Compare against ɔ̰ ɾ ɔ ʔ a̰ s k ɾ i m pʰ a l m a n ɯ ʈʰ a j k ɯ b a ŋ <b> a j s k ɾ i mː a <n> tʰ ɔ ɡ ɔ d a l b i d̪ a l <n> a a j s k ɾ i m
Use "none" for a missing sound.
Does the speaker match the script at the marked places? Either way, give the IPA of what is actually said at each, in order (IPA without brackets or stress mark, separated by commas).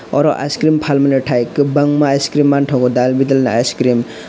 m, n, n